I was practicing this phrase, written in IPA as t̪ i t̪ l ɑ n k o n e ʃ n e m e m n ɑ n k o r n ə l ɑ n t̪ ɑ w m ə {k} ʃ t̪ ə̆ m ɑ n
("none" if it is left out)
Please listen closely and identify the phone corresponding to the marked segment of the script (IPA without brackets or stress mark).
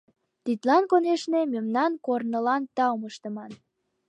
none